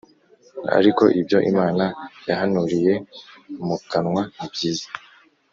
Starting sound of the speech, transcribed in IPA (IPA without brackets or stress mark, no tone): a̰